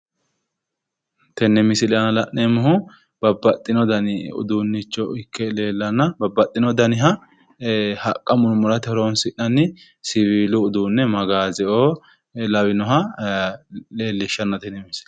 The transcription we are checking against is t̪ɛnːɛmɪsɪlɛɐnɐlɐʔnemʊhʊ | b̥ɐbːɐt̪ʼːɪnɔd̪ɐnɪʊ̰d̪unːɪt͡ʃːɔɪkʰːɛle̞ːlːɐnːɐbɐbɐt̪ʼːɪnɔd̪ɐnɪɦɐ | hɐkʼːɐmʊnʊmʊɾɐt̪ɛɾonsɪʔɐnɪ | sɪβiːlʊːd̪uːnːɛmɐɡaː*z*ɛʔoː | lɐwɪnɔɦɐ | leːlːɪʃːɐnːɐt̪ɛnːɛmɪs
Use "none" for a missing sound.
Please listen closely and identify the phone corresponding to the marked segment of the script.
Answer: z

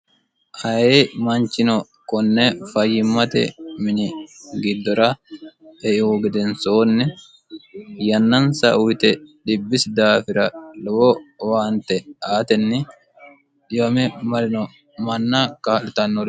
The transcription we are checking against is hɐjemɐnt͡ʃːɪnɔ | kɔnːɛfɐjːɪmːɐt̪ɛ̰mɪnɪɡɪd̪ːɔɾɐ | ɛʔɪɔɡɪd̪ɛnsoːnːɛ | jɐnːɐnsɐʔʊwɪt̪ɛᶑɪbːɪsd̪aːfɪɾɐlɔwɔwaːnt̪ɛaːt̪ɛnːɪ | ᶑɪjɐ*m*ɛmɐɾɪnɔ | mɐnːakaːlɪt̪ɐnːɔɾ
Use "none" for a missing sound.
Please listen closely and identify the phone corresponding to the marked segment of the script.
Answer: m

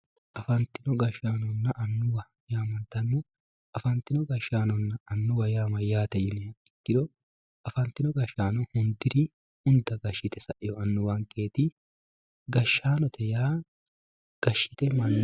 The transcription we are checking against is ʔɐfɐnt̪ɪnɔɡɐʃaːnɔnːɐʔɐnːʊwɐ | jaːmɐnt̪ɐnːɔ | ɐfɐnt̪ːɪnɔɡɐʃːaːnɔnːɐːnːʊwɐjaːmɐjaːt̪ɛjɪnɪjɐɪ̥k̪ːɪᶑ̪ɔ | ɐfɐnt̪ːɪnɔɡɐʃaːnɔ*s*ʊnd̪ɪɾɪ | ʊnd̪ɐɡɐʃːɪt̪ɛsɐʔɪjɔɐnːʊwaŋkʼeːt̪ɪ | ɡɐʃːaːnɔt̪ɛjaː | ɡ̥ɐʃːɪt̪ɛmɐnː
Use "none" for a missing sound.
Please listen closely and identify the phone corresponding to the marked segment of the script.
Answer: h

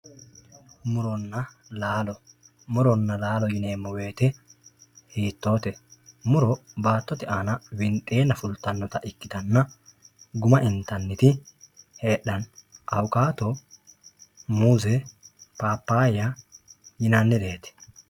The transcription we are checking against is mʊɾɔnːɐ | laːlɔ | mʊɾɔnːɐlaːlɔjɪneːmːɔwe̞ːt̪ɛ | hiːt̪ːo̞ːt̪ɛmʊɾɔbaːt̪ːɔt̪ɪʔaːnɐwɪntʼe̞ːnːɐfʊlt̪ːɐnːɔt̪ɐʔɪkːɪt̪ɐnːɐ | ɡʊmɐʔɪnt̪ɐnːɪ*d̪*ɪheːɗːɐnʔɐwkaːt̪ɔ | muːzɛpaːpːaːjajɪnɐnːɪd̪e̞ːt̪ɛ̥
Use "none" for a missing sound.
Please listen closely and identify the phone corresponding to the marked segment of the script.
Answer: t̪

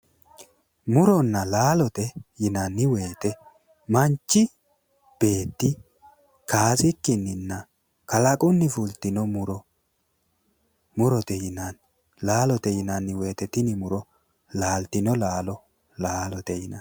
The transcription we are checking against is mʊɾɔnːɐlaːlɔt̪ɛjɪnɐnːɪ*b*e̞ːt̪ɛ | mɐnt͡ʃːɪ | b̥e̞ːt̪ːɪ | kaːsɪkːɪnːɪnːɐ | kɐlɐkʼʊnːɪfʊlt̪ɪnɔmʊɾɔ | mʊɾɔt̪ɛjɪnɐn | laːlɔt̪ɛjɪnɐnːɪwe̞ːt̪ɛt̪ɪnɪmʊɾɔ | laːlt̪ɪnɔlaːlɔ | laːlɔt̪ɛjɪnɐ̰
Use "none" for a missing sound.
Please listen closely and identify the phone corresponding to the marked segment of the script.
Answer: w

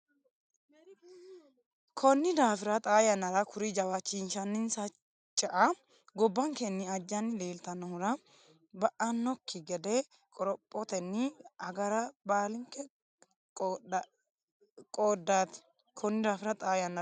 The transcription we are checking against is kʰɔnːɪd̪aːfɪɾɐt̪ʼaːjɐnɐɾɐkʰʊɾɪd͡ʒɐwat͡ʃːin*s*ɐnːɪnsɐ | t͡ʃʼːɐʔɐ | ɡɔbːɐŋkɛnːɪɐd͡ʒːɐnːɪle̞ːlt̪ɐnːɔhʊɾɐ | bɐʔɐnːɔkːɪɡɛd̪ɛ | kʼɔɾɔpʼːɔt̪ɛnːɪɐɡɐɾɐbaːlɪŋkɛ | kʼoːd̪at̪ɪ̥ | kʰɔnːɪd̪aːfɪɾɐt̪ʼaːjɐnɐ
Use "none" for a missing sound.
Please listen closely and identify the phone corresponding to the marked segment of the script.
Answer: ʃ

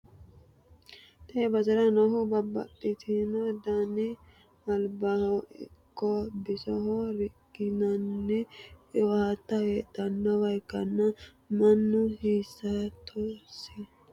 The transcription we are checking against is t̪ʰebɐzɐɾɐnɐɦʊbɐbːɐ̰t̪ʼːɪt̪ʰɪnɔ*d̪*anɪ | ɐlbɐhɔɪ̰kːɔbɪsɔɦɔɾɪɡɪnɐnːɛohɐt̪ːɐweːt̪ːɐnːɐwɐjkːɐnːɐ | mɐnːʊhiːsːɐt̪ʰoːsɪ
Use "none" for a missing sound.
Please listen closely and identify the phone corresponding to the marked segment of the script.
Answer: d̪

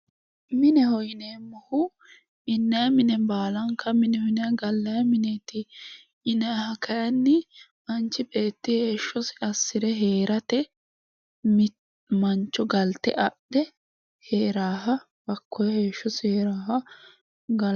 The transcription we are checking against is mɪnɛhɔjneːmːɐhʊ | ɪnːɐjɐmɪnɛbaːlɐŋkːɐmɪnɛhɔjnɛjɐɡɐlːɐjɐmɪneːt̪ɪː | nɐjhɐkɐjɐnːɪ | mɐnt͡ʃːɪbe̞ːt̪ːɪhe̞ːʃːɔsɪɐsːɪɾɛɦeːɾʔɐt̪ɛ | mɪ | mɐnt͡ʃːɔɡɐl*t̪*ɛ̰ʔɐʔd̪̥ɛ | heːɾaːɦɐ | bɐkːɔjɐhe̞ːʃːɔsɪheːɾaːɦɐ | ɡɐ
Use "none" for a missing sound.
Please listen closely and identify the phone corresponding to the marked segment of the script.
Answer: t̪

